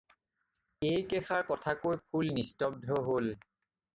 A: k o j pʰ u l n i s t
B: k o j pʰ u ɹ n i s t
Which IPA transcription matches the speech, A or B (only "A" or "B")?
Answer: A